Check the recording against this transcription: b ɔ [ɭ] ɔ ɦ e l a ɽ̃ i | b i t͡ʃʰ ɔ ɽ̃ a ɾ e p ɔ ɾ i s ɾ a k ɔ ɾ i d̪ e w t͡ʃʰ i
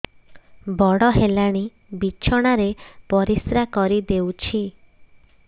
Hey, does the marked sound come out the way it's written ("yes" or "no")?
no